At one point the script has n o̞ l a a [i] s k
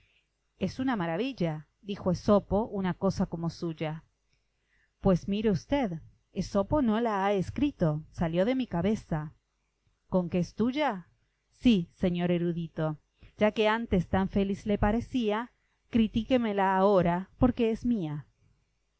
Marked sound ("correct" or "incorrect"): incorrect